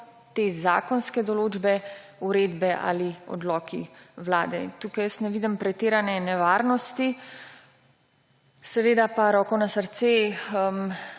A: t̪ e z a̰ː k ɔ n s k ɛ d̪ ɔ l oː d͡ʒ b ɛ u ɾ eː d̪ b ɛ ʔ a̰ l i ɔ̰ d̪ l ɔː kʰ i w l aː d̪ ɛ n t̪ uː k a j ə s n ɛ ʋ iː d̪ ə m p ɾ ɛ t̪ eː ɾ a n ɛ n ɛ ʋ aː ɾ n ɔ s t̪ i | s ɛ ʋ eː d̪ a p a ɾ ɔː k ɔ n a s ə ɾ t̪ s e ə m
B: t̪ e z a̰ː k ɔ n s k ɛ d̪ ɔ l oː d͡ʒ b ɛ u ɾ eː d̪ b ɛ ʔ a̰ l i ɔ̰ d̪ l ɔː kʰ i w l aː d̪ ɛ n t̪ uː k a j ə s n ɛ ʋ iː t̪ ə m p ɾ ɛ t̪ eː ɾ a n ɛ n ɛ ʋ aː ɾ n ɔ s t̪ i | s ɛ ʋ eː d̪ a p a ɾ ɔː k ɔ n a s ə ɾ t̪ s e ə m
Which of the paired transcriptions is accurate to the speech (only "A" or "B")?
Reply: A